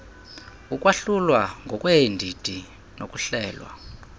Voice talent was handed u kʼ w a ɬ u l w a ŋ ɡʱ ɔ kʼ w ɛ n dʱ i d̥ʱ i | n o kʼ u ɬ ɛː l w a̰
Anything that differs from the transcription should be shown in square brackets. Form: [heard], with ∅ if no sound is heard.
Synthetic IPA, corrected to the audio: u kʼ w a ɬ u l w a ŋ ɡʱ ɔ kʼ w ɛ n dʱ i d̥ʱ i | n o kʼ u ɬ ɛː l w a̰